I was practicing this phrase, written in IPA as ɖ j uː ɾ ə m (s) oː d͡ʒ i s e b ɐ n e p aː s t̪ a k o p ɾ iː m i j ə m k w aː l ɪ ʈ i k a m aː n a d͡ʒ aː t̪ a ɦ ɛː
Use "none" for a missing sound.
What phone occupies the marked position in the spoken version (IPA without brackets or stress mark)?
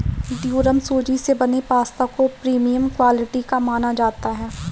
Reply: s